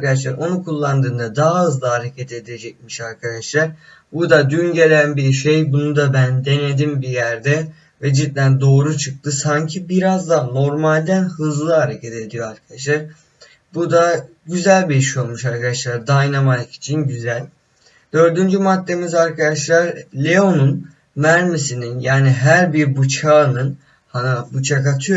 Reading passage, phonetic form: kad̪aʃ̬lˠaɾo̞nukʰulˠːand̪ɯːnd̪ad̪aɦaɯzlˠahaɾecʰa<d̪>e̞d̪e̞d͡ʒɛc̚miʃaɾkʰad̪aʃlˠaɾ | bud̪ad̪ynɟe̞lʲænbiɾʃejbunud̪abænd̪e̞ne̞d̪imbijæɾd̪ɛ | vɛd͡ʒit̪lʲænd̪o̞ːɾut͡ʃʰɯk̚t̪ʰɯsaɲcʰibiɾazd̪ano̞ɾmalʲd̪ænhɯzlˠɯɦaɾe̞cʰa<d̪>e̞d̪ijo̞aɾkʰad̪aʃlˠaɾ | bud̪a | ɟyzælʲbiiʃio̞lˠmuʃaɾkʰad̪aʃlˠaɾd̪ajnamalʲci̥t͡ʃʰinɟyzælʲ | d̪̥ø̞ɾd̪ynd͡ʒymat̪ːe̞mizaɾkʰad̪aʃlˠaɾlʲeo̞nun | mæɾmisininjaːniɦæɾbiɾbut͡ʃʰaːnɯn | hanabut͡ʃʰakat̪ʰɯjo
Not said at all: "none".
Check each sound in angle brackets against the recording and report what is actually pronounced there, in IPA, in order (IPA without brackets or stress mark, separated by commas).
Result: t̪, t̪